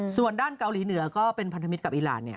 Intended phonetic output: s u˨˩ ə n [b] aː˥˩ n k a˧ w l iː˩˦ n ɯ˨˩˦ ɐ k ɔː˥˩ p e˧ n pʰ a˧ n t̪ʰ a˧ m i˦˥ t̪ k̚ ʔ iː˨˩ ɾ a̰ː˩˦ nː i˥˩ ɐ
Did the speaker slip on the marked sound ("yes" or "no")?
yes